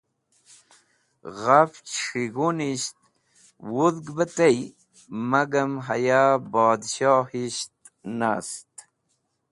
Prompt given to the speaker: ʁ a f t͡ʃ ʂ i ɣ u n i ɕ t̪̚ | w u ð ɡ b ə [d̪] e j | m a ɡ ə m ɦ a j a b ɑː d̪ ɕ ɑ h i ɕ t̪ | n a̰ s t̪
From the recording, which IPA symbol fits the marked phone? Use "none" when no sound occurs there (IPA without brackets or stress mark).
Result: t̪